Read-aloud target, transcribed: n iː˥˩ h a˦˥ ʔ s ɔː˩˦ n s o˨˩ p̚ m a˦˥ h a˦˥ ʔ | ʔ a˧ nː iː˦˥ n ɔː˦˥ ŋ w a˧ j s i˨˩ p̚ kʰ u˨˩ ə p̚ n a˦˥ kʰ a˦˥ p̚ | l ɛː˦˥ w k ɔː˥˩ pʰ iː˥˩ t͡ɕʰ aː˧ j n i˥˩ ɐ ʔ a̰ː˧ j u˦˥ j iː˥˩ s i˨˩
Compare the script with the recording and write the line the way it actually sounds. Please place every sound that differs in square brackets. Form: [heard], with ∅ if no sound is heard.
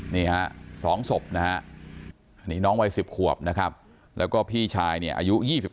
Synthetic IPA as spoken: n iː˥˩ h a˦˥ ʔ s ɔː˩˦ [ŋ] s o˨˩ p̚ [n] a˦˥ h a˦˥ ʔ | ʔ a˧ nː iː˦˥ n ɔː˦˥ ŋ w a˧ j s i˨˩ p̚ kʰ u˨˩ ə p̚ n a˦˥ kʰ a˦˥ p̚ | l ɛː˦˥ w k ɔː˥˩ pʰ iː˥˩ t͡ɕʰ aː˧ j n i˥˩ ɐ ʔ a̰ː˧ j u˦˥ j iː˥˩ s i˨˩